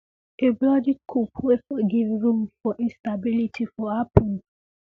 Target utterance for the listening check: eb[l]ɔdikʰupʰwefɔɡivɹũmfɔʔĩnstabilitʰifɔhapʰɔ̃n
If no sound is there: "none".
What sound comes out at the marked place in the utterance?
l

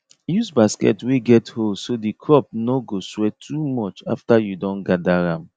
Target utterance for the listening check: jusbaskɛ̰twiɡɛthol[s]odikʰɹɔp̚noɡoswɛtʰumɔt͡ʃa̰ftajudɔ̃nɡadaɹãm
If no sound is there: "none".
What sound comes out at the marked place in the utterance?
s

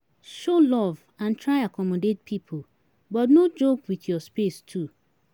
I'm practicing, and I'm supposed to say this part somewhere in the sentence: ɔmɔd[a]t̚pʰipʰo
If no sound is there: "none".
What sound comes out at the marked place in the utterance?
e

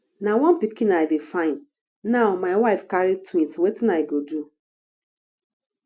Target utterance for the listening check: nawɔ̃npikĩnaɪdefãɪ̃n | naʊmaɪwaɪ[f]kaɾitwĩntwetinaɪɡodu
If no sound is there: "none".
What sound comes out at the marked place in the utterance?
f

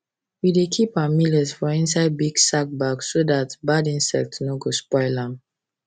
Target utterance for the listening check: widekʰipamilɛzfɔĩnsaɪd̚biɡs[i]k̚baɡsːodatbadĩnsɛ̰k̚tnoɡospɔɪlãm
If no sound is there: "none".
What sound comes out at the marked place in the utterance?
a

